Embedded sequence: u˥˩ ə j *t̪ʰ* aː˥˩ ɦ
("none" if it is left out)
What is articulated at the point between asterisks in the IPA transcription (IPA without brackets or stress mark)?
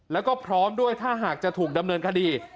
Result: t̪ʰ